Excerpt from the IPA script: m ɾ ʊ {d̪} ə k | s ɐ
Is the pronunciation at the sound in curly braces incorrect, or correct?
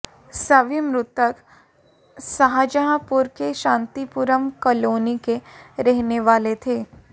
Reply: incorrect